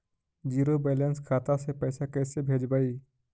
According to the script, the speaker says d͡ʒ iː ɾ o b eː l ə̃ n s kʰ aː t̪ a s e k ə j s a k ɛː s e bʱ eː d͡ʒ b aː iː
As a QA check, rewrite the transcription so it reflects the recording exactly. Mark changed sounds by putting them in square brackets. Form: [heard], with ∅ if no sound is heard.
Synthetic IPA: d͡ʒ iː ɾ o b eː l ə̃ n s kʰ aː t̪ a s e [p] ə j s a k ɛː s e bʱ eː d͡ʒ b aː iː